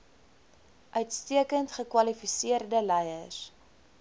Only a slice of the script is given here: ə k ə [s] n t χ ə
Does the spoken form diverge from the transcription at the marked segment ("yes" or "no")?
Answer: yes